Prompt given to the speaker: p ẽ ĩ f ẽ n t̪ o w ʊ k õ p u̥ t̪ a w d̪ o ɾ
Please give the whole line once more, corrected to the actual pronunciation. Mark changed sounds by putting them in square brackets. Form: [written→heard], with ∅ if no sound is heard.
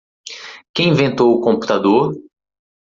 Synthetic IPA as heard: [p→k] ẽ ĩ [f→v] ẽ n t̪ o w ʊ k õ p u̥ t̪ a [w→∅] d̪ o ɾ